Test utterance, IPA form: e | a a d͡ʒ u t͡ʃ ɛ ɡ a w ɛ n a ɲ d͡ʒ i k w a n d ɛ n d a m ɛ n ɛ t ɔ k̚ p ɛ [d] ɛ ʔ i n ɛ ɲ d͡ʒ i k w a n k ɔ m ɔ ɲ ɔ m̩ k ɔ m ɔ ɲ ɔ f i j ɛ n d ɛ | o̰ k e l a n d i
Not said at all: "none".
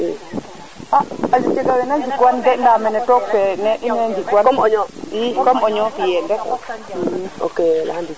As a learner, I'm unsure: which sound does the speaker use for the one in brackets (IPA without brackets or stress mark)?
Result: n